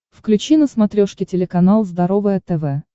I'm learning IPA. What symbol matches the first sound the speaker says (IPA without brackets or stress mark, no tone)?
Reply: f